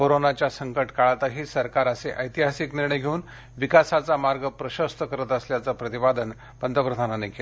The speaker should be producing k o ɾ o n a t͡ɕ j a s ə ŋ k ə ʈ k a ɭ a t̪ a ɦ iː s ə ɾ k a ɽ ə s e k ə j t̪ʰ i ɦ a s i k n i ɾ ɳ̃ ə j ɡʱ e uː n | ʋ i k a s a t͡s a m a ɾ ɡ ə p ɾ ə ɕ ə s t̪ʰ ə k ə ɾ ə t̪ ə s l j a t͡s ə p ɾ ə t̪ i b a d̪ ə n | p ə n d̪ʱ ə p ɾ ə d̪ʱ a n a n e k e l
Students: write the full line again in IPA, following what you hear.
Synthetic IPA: k o ɾ o n a t͡ɕ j a s ə ŋ k ə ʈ k a ɭ a t̪ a ɦ iː s ə ɾ k a ɾ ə s e ʔ ə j t̪ i ɦ a s i k n i ɾ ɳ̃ ə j ɡʱ e uː n | ʋ i k a s a t͡s a m a ɾ ɡ ə p ɾ ə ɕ ə s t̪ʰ ə k ə ɾ ə t̪ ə s l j a t͡s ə p ɾ ə t̪ i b a d̪ ə n | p ə n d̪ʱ ə p ɾ ə d̪ʱ a n a n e k e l